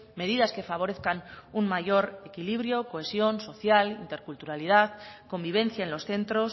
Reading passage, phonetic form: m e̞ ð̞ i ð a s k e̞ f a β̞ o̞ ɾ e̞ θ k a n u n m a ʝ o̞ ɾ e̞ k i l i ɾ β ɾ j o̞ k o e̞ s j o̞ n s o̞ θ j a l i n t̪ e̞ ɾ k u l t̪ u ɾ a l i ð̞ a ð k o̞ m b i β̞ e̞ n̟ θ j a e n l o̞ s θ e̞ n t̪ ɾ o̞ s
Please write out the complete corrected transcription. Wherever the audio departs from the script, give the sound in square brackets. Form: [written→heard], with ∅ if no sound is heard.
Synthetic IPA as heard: m e̞ ð̞ i ð a s k e̞ f a β̞ o̞ ɾ e̞ θ k a n u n m a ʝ o̞ ɾ e̞ k i l i [ɾ→∅] β ɾ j o̞ k o e̞ s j o̞ n s o̞ θ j a l i n t̪ e̞ ɾ k u l t̪ u ɾ a l i ð̞ a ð k o̞ m b i β̞ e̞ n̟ θ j a e n l o̞ s θ e̞ n t̪ ɾ o̞ s